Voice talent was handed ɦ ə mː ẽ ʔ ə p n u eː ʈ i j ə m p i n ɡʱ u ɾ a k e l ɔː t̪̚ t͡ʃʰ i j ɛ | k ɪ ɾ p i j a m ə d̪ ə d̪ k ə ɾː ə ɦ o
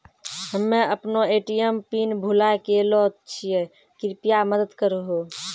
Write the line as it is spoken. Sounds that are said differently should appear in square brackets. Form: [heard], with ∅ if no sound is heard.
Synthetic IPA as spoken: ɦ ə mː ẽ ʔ ə p n [o] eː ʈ i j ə m p i n [bʱ] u [l] a k e l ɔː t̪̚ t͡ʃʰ i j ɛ | k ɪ ɾ p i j a m ə d̪ ə d̪ k ə [ɾ] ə ɦ o